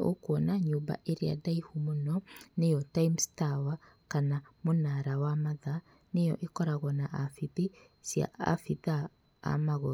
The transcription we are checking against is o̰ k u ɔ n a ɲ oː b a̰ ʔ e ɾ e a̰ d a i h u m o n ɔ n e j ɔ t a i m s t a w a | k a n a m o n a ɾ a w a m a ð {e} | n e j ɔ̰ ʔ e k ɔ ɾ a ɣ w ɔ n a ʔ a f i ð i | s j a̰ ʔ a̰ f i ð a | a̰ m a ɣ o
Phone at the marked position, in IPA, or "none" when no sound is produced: a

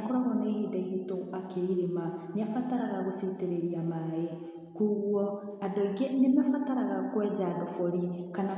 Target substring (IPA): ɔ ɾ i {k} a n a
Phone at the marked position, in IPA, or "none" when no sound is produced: k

